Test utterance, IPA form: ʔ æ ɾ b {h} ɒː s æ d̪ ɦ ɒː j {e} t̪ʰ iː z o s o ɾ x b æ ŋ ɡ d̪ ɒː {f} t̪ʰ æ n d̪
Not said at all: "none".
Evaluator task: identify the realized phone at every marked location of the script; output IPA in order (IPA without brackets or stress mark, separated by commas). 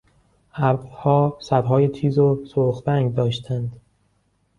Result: h, e, ʃ